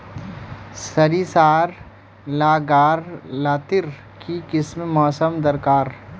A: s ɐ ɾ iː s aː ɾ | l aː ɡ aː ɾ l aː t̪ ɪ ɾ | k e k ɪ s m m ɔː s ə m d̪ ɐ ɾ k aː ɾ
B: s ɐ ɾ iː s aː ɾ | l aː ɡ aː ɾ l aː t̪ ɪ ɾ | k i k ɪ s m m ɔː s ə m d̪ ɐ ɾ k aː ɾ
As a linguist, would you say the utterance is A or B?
B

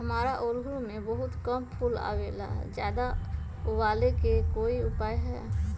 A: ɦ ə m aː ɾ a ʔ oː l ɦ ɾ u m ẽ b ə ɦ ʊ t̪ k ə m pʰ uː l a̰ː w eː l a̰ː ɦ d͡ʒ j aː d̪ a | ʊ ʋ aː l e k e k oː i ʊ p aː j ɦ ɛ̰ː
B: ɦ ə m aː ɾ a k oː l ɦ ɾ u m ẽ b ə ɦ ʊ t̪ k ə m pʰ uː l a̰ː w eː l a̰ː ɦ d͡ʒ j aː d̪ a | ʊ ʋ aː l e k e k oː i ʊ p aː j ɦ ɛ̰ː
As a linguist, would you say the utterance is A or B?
A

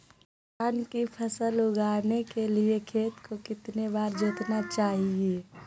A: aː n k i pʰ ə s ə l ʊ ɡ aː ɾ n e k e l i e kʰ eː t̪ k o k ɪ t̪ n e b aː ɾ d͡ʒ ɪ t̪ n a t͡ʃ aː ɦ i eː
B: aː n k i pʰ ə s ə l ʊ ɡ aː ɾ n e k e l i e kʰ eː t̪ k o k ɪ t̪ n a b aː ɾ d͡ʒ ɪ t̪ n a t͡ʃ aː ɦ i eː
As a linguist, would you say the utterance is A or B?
A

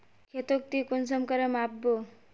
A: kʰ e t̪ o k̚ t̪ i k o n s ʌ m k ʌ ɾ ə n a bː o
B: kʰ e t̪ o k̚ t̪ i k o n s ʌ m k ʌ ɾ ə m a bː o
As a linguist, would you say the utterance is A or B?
B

